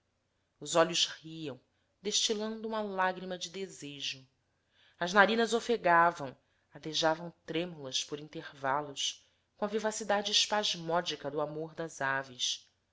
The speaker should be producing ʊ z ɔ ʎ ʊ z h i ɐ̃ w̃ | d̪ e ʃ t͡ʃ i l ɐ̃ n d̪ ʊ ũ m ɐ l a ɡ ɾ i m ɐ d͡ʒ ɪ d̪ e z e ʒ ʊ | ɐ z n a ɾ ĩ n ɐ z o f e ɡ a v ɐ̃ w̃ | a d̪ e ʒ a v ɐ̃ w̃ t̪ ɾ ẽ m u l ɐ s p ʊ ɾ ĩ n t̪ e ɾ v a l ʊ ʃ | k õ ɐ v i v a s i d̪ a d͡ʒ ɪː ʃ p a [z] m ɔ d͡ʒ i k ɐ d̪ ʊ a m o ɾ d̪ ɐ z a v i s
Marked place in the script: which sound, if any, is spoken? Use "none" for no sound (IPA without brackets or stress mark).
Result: ʒ